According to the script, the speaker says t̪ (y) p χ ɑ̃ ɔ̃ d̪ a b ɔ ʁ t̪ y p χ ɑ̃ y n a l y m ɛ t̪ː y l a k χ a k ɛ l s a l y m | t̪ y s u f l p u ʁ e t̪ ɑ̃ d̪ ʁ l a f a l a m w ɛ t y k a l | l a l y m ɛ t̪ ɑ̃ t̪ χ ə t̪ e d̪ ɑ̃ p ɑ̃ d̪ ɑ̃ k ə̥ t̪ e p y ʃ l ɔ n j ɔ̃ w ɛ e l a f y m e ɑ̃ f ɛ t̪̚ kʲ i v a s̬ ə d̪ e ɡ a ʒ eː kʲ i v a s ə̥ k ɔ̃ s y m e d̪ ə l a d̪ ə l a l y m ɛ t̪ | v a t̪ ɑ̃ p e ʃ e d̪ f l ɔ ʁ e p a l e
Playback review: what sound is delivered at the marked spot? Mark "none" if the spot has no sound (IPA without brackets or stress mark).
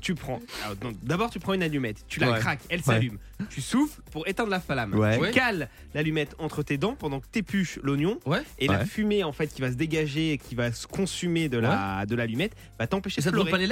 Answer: y